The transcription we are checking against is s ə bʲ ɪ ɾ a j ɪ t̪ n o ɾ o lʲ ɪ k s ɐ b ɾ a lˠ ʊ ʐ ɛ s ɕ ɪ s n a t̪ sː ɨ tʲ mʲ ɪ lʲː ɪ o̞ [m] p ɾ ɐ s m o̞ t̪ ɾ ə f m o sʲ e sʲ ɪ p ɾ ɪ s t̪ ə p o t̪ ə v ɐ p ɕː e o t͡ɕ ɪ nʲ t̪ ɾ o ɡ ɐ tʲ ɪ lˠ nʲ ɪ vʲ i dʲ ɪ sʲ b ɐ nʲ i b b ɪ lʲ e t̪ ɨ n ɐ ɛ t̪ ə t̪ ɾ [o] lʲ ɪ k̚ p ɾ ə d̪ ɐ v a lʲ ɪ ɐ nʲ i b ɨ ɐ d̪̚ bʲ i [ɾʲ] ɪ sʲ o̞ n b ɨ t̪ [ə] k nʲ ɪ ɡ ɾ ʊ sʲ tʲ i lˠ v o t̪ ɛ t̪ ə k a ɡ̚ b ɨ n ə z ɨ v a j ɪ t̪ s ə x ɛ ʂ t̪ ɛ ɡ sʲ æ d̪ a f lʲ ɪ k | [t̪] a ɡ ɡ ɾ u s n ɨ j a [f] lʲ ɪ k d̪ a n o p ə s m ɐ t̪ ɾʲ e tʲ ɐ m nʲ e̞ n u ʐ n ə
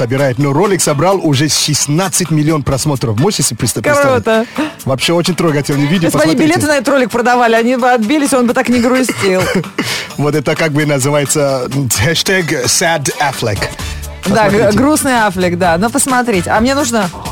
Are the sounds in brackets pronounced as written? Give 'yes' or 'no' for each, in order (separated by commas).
no, yes, no, no, no, yes